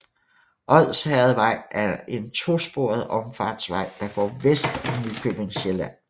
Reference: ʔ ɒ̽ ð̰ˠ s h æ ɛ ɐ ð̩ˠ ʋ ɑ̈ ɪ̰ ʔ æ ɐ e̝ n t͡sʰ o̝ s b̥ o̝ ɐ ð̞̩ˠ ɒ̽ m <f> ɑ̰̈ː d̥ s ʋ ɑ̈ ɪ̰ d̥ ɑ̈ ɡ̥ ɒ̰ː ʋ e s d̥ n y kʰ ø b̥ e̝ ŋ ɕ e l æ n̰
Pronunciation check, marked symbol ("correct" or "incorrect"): correct